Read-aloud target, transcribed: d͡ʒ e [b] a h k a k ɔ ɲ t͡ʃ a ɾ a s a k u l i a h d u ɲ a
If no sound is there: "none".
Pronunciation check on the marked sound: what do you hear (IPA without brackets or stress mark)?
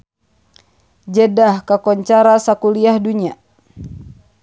d